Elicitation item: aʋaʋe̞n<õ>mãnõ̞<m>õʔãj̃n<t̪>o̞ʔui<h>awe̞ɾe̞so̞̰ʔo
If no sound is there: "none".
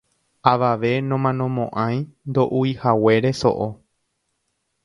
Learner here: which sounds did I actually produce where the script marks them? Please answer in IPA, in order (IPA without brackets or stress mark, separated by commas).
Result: õ, m, d̪, h